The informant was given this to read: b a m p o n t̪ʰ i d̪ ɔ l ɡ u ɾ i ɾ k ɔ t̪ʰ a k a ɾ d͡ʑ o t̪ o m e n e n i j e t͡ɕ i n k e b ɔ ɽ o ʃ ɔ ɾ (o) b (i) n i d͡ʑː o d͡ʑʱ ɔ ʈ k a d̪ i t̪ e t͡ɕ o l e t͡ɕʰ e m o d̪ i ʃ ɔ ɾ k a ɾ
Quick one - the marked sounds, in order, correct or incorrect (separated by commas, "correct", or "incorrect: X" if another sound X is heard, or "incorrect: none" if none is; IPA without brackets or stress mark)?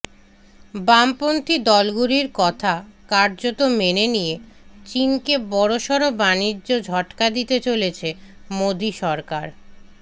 correct, incorrect: a